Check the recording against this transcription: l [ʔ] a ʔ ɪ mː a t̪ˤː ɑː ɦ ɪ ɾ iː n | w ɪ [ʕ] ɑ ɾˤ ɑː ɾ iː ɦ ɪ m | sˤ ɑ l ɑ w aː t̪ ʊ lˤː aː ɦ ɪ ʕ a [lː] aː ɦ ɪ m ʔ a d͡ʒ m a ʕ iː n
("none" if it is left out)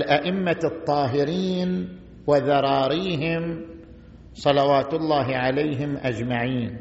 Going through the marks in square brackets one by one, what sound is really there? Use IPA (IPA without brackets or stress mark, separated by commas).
ʔ, ð, l